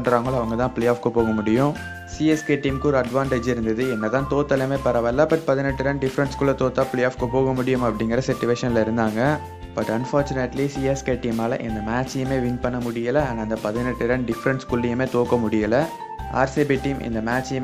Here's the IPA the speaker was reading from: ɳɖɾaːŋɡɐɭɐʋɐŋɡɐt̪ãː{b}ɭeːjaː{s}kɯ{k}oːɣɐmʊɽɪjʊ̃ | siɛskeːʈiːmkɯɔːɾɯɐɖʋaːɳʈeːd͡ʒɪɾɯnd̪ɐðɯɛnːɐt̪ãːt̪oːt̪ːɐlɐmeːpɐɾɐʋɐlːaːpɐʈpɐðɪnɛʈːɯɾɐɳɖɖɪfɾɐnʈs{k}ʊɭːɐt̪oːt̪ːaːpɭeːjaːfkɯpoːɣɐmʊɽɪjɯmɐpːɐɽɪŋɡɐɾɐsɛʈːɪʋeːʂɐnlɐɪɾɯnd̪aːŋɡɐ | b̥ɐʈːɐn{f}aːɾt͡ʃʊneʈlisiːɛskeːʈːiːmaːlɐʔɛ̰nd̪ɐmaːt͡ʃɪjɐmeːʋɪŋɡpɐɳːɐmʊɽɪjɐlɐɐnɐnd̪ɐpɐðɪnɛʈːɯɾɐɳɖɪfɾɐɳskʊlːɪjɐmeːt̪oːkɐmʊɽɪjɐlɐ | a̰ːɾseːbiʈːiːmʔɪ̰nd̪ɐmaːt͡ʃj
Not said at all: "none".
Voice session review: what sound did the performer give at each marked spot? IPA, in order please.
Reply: p, f, p, k, f

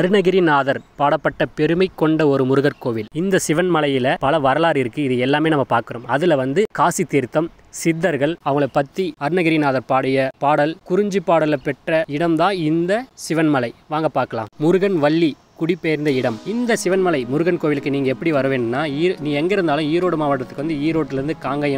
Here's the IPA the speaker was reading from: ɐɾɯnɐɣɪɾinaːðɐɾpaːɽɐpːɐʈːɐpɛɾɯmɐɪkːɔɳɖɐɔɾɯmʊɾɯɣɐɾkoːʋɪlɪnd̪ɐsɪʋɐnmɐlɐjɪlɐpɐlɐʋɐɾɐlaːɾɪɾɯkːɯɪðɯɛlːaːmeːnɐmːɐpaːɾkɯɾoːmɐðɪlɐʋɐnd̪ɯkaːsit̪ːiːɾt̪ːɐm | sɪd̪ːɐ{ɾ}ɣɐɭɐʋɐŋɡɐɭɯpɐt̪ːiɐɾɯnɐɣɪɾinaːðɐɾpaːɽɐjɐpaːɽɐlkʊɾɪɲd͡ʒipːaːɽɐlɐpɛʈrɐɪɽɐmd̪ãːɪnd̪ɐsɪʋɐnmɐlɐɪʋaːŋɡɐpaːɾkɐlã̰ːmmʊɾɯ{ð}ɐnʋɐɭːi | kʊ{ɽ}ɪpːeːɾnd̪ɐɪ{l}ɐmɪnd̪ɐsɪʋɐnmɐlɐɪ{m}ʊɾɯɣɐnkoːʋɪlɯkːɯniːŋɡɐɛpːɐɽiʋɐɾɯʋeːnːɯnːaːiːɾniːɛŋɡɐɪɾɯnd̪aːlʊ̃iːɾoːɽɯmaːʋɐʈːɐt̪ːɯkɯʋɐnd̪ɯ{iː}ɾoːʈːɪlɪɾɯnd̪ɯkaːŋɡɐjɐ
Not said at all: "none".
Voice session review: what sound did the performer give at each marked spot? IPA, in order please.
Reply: ɾ, ɣ, ɽ, ɽ, m, iː

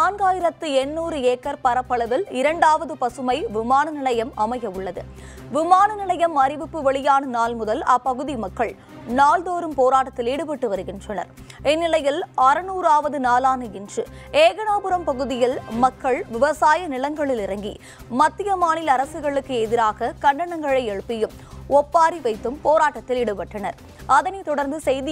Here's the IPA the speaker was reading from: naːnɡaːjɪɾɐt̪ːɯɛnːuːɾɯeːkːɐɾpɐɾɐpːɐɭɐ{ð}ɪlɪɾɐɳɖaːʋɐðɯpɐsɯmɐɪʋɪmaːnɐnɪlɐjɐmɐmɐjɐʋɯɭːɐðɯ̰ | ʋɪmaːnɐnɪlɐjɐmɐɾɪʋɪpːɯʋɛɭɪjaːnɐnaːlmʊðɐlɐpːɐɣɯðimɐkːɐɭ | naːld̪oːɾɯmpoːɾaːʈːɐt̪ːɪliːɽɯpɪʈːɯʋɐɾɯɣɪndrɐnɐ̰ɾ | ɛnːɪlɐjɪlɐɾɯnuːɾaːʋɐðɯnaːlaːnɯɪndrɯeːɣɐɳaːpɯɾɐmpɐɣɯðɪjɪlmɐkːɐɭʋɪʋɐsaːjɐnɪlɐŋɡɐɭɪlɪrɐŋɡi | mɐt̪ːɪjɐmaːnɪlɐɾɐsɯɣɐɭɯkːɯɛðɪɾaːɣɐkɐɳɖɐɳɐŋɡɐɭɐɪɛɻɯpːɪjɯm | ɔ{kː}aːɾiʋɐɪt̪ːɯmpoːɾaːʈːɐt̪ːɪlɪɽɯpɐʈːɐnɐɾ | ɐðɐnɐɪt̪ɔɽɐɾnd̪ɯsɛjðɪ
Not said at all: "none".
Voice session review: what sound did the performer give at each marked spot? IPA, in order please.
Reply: ð, pː

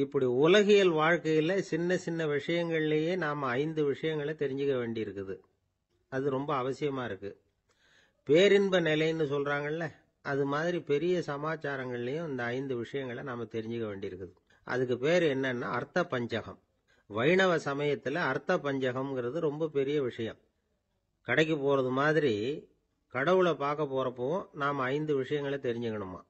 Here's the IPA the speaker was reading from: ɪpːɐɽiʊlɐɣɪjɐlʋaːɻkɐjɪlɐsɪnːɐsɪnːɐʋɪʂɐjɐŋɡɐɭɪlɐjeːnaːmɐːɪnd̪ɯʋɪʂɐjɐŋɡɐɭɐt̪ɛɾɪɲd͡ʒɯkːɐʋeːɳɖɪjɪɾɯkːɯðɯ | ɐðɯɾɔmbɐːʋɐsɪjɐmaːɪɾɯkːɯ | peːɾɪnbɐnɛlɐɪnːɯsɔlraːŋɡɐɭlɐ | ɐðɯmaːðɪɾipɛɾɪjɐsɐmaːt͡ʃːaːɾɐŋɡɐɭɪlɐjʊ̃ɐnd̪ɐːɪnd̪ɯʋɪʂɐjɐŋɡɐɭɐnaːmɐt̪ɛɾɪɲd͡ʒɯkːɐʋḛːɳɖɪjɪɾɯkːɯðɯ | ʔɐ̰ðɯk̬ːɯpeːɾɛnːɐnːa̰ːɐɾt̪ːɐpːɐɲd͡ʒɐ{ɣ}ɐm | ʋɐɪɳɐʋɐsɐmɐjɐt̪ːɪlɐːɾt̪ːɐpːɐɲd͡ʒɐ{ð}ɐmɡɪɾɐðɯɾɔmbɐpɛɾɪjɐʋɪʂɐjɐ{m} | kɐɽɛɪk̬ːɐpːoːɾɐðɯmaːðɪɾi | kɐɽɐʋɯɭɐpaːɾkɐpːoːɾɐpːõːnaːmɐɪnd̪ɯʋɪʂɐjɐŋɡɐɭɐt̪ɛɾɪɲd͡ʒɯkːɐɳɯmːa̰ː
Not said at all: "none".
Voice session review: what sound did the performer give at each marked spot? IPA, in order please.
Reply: ɣ, ɣ, m

